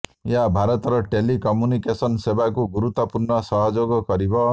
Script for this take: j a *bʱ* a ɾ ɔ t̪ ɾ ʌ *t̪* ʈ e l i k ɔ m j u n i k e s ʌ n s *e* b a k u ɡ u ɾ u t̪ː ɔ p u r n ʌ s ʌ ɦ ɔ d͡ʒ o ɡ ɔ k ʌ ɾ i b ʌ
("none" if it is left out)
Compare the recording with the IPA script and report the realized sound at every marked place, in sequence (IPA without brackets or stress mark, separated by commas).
bʱ, none, e